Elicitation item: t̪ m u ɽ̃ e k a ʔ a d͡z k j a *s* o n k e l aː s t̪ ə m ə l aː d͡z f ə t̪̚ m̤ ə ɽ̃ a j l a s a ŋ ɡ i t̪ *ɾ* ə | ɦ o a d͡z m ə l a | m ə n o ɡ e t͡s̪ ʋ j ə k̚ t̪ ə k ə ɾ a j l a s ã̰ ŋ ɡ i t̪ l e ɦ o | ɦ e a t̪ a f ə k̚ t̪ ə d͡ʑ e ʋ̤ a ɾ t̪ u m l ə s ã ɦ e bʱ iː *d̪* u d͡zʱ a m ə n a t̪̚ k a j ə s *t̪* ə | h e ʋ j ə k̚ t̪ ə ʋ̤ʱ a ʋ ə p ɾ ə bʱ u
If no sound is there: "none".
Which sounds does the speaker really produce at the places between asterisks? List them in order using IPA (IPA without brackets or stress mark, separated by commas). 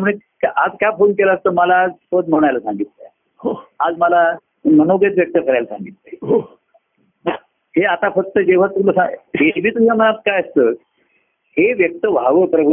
f, l, t̪, t̪